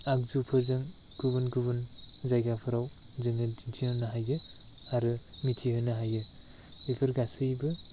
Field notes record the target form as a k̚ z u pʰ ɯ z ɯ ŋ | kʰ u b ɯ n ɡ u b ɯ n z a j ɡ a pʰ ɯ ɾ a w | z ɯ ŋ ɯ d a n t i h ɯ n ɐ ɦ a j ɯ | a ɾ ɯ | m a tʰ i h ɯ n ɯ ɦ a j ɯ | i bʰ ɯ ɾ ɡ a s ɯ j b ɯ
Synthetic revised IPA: a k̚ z u pʰ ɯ z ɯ ŋ | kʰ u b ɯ n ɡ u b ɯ n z a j ɡ a pʰ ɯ ɾ a w | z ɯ ŋ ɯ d i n tʰ i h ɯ n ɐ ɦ a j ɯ | a ɾ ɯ | m i tʰ i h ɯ n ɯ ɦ a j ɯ | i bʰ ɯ ɾ ɡ a s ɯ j b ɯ

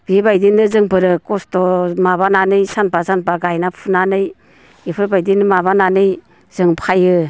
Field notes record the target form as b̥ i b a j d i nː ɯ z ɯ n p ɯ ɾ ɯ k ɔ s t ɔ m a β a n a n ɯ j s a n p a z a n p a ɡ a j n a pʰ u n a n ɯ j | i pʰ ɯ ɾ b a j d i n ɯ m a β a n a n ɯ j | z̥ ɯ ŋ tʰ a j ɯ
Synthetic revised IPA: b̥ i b a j d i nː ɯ z ɯ ŋ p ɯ ɾ ɯ k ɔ s t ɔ m a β a n a n ɯ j s a n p a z a n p a ɡ a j n a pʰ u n a n ɯ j | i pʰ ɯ ɾ b a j d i n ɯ m a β a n a n ɯ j | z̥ ɯ ŋ pʰ a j ɯ

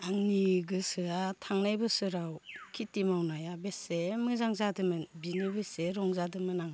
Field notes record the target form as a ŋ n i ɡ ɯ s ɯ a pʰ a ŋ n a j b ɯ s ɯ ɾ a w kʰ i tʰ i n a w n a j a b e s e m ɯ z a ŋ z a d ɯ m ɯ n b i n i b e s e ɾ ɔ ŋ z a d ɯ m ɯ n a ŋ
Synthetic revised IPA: a ŋ n i ɡ ɯ s ɯ a tʰ a ŋ n a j b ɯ s ɯ ɾ a w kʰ i t i m a w n a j a b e s e m ɯ z a ŋ z a d ɯ m ɯ n b i n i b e s e ɾ ɔ ŋ z a d ɯ m ɯ n a ŋ

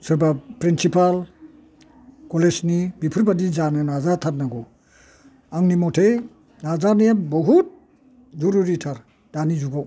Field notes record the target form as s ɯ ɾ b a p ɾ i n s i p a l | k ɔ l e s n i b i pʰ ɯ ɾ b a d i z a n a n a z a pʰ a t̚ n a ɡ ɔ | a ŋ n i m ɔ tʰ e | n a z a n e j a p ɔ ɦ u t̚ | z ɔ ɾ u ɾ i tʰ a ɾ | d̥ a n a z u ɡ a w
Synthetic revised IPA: s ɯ ɾ b a p ɾ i n s i p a l | k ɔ l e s n i b i pʰ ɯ ɾ b a d i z a n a n a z a tʰ a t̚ n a ɡ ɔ | a ŋ n i m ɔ tʰ e | n a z a n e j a b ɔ ɦ u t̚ | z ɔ ɾ u ɾ i tʰ a ɾ | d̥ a n i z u ɡ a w

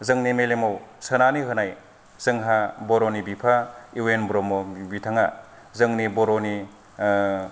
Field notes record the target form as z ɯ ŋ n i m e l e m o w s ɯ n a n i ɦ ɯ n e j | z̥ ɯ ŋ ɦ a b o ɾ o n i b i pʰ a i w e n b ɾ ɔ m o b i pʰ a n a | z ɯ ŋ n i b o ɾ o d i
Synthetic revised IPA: z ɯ ŋ n i m e l e m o w s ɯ n a n i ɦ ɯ n a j | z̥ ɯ ŋ ɦ a b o ɾ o n i b i pʰ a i w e n b ɾ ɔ m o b i tʰ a ŋ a | z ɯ ŋ n i b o ɾ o n i

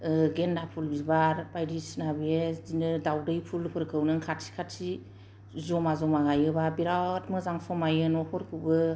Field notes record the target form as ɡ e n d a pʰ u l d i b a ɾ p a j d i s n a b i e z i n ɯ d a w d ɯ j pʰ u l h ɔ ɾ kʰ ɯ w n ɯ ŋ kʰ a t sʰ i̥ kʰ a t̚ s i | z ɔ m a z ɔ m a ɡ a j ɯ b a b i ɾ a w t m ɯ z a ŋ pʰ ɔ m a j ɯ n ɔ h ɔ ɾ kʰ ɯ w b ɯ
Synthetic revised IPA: ɡ e n d a pʰ u l b i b a ɾ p a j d i s n a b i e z i n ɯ d a w d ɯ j pʰ u l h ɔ ɾ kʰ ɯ w n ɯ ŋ kʰ a t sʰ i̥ kʰ a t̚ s i | z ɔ m a z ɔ m a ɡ a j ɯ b a b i ɾ a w t m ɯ z a ŋ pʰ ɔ m a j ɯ n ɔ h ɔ ɾ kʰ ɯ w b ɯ

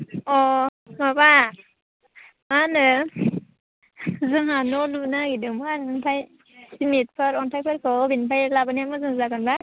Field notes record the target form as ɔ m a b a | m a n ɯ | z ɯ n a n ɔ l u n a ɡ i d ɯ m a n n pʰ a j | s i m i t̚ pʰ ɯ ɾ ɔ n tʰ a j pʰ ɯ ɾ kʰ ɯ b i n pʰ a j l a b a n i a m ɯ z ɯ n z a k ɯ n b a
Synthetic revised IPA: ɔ m a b a | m a n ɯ | z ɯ ŋ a n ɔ l u n a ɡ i d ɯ m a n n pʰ a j | s i m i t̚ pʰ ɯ ɾ ɔ n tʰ a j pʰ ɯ ɾ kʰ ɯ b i n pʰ a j l a b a n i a m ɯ z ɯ ŋ z a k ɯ n b a

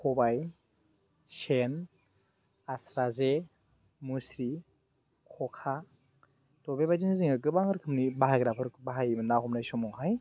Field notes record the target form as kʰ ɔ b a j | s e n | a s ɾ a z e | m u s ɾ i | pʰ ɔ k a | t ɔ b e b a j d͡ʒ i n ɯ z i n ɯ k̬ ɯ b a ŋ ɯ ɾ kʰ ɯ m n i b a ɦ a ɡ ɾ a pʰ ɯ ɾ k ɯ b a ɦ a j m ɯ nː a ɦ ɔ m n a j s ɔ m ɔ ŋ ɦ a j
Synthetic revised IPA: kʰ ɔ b a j | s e n | a s ɾ a z e | m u s ɾ i | kʰ ɔ kʰ a | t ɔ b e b a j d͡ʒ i n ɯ z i ŋ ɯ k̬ ɯ b a ŋ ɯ ɾ kʰ ɯ m n i b a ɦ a ɡ ɾ a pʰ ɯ ɾ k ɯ b a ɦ a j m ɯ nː a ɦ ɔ m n a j s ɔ m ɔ ŋ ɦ a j

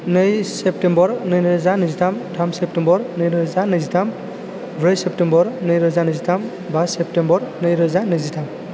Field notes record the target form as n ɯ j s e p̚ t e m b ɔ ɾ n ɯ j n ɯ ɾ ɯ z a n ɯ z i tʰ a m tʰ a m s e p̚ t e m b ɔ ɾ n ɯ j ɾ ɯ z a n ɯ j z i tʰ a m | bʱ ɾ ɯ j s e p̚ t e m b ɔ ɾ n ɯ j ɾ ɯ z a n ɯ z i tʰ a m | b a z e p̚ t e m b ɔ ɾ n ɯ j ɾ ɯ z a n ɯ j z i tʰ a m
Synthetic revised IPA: n ɯ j s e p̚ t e m b ɔ ɾ n ɯ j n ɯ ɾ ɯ z a n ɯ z i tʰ a m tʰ a m s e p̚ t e m b ɔ ɾ n ɯ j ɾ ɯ z a n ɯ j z i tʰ a m | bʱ ɾ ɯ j s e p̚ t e m b ɔ ɾ n ɯ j ɾ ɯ z a n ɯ z i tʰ a m | b a s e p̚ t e m b ɔ ɾ n ɯ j ɾ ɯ z a n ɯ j z i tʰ a m

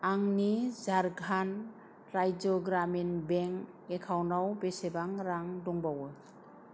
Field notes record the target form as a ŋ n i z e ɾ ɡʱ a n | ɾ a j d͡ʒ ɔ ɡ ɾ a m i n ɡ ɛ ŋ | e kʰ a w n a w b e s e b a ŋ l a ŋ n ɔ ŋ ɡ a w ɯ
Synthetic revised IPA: a ŋ n i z a ɾ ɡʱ a n | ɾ a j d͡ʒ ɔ ɡ ɾ a m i n b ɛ ŋ | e kʰ a w n a w b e s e b a ŋ ɾ a ŋ d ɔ ŋ b a w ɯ

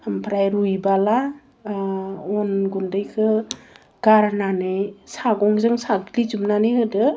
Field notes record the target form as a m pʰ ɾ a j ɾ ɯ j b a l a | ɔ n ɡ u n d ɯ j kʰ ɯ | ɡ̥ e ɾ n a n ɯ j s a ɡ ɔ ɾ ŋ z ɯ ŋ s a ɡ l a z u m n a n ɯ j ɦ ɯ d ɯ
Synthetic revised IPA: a m pʰ ɾ a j ɾ u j b a l a | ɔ n ɡ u n d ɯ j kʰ ɯ | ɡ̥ a ɾ n a n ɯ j s a ɡ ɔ ŋ z ɯ ŋ s a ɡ l i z u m n a n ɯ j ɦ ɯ d ɯ

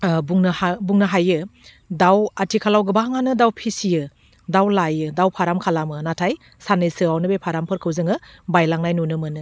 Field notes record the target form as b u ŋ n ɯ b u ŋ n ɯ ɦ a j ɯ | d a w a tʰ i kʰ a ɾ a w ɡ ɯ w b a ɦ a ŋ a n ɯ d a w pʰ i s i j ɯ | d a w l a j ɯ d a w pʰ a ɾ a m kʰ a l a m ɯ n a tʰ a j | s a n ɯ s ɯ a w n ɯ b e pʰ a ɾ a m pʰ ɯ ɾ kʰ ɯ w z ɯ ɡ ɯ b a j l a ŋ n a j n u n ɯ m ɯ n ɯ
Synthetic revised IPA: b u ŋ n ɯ b u ŋ n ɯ ɦ a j ɯ | d a w a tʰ i kʰ a l a w ɡ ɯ b a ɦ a ŋ a n ɯ d a w pʰ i s i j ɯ | d a w l a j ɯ d a w pʰ a ɾ a m kʰ a l a m ɯ n a tʰ a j | s a n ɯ s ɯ a w n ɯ b e pʰ a ɾ a m pʰ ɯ ɾ kʰ ɯ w z ɯ ŋ ɯ b a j l a ŋ n a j n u n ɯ m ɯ n ɯ

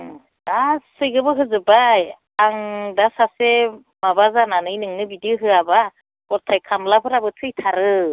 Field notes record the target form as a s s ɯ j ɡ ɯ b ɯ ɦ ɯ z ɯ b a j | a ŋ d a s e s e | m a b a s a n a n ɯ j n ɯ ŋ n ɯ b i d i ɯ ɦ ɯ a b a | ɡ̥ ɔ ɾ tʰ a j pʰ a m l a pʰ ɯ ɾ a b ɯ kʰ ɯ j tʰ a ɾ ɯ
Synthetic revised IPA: a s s ɯ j ɡ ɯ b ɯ ɦ ɯ z ɯ b a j | a ŋ d a s a s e | m a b a z a n a n ɯ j n ɯ ŋ n ɯ b i d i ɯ ɦ ɯ a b a | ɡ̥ ɔ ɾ tʰ a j kʰ a m l a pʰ ɯ ɾ a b ɯ tʰ ɯ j tʰ a ɾ ɯ

